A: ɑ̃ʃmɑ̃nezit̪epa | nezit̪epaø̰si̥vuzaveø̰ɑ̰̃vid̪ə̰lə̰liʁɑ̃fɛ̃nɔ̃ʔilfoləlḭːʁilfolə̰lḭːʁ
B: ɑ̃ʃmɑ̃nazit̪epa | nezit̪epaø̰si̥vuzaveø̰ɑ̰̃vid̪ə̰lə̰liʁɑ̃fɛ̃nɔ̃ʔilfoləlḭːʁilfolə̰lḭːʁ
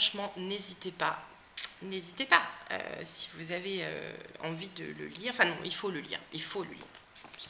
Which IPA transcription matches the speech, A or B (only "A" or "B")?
A